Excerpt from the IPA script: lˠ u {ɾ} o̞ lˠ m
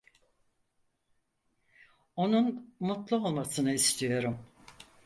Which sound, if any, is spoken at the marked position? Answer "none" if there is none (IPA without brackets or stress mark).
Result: none